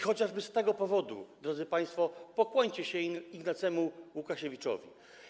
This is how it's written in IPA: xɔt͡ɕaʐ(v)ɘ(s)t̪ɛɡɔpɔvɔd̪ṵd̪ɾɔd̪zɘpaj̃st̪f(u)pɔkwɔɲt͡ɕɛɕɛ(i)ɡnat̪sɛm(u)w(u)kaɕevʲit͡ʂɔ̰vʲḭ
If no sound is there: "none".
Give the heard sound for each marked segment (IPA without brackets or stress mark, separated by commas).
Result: b, s, ɔ, i, u, u